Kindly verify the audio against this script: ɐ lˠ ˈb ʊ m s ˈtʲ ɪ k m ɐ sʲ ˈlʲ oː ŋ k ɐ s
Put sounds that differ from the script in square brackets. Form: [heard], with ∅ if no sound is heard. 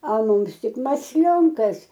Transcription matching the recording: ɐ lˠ [ˈm] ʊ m s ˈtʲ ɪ k m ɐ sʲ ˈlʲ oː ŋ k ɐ s